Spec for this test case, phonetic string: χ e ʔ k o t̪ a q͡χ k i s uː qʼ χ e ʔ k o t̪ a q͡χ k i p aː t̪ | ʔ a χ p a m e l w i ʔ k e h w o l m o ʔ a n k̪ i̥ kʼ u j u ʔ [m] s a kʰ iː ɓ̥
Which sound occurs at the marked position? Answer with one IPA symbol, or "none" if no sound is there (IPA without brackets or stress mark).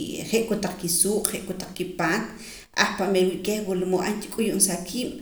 n